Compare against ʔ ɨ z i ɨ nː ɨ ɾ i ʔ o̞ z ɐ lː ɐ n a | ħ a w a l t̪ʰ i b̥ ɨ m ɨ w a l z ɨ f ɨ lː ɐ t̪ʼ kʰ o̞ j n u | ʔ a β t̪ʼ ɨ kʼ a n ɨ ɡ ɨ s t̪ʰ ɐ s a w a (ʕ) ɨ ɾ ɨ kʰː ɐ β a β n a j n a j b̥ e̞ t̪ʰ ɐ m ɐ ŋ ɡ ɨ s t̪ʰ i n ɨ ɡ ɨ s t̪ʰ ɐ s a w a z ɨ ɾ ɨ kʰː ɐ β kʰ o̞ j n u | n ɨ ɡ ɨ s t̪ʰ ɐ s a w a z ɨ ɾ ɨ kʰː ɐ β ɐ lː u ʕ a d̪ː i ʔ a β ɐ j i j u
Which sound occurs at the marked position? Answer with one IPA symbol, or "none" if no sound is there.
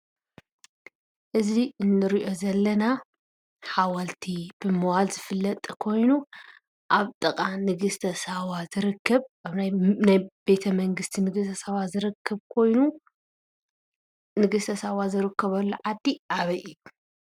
z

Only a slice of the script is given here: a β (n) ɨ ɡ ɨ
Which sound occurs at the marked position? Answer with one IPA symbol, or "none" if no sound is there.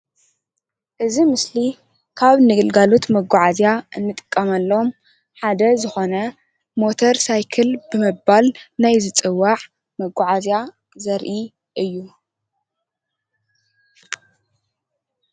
n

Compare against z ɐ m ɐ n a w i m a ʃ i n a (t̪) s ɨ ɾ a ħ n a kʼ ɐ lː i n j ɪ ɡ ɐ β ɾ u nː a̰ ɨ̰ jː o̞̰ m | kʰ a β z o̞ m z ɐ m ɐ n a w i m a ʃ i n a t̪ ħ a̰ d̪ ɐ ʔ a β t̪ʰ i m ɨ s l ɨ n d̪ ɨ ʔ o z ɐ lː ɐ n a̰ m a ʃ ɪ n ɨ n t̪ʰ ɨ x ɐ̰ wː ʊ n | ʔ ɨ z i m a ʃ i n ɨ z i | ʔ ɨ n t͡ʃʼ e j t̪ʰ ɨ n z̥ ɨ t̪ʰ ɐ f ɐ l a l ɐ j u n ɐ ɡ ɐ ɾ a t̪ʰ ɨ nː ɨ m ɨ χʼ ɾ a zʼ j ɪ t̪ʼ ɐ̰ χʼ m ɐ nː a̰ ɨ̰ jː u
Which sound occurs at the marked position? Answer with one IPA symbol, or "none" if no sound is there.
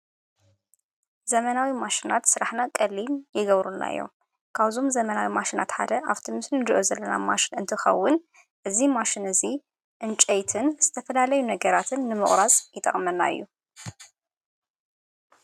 t̪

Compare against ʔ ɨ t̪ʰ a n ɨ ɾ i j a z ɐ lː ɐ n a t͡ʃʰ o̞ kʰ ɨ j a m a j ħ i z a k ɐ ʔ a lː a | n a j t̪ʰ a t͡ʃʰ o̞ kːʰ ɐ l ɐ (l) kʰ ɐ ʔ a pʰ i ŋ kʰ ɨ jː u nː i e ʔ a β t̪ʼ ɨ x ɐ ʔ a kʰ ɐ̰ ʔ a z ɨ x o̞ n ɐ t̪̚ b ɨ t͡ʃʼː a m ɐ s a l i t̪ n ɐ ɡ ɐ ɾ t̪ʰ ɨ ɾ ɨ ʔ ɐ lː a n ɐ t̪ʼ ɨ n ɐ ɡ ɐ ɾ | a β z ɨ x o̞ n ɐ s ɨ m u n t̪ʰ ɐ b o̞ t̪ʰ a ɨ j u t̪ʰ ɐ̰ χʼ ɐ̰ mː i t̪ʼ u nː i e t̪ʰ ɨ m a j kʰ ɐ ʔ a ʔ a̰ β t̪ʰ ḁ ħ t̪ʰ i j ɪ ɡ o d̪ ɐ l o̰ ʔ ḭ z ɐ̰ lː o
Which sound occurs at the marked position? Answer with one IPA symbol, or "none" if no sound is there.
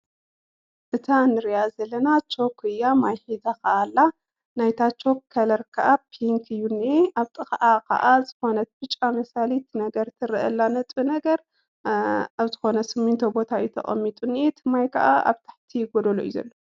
ɾ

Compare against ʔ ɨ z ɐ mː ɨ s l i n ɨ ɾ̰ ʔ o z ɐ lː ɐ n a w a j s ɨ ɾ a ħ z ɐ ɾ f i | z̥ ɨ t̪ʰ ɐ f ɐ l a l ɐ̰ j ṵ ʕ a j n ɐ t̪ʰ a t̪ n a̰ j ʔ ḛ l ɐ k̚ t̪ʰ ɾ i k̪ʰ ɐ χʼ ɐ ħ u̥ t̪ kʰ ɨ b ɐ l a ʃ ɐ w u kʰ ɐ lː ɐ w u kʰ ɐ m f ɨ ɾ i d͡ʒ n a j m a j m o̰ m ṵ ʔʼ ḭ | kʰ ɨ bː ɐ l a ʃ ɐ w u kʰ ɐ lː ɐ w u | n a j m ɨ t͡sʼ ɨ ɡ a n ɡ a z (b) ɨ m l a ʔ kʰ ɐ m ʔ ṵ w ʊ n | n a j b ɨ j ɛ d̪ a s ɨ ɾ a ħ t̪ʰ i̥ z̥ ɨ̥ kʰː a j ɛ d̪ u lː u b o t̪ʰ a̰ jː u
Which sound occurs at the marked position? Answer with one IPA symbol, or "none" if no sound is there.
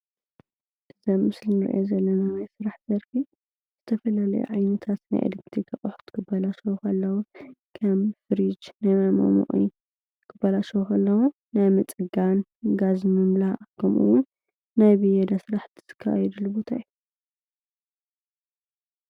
m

